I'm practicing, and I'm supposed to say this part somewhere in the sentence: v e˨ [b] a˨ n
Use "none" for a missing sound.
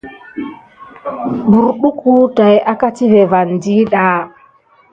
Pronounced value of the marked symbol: v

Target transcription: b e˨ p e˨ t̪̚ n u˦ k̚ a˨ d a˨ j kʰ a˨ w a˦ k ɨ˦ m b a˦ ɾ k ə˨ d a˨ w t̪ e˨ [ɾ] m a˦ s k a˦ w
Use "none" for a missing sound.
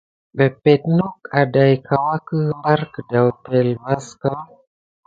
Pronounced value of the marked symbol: l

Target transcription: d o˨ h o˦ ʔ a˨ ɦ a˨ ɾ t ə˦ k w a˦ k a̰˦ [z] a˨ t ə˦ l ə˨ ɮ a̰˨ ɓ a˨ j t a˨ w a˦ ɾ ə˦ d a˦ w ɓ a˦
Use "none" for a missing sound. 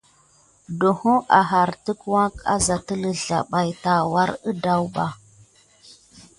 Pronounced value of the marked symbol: z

